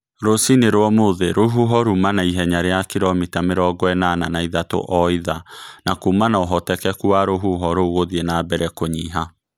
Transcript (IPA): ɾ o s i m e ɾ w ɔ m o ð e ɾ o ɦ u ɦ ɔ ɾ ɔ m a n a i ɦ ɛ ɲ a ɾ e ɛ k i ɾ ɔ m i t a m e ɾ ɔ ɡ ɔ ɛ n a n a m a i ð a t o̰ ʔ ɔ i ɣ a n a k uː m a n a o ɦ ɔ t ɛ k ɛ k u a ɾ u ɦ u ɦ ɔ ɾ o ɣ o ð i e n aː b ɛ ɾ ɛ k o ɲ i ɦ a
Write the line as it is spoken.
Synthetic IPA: ɾ o s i n e ɾ w ɔ m o ð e ɾ o ɦ u ɦ ɔ ɾ u m a n a i ɦ ɛ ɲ a ɾ e a k i ɾ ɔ m i t a m e ɾ ɔ ɡ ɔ ɛ n a n a n a i ð a t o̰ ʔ ɔ i ð a n a k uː m a n a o ɦ ɔ t ɛ k ɛ k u a ɾ o ɦ u ɦ ɔ ɾ o ɣ o ð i e n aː b ɛ ɾ ɛ k o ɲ i ɦ a